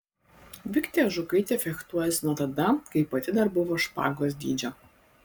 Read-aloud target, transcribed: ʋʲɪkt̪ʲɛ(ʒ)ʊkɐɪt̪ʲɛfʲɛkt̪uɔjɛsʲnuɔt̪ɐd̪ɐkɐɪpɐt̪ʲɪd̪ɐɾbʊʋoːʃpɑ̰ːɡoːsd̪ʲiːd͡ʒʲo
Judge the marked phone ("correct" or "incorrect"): correct